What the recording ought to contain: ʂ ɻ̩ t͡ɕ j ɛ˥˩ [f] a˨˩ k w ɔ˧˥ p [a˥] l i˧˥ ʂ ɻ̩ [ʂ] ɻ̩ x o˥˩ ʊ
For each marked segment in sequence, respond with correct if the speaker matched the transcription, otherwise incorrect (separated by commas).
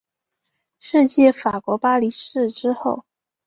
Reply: correct, correct, incorrect